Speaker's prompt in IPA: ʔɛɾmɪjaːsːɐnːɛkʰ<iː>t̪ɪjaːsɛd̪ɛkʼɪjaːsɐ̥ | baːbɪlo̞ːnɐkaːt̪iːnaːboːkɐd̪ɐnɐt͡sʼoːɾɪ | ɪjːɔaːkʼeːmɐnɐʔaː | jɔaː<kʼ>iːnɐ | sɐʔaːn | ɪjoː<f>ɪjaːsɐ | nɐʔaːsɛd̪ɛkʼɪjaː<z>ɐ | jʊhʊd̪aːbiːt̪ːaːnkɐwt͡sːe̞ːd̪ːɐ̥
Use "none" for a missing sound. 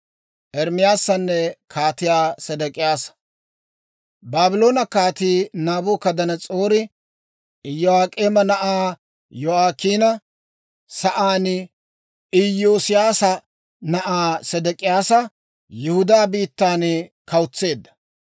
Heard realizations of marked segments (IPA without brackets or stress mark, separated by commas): aː, k, s, s